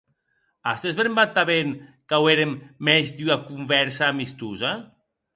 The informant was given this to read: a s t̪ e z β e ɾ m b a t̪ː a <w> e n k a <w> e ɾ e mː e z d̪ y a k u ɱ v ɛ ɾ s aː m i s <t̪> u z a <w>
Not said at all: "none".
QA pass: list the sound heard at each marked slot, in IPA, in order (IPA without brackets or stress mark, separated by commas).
β, w, t̪, none